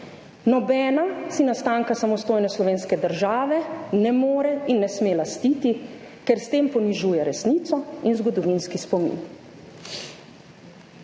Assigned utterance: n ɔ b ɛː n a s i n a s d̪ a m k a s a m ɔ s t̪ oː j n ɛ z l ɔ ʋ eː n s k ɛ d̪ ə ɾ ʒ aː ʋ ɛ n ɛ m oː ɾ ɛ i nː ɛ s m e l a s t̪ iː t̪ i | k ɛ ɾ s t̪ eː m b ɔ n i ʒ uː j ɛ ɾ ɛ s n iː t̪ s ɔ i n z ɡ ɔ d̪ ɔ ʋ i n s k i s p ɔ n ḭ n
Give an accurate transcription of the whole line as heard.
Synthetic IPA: n ɔ b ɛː n a s i n a s t̪ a ŋ k a s a m ɔ s t̪ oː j n ɛ s l ɔ ʋ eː n s k ɛ d̪ ə ɾ ʒ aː ʋ ɛ n ɛ m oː ɾ ɛ i nː ɛ s m e l a s t̪ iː t̪ i | k ɛ ɾ s t̪ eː m p ɔ n i ʒ uː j ɛ ɾ ɛ s n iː t̪ s ɔ i n z ɡ ɔ d̪ ɔ ʋ i n s k i s p ɔ m ḭ n